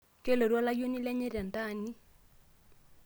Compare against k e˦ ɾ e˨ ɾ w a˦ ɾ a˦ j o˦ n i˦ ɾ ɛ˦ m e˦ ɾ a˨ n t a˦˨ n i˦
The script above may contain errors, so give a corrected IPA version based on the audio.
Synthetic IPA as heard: k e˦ l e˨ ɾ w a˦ l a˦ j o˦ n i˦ l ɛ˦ ɲ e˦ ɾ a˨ n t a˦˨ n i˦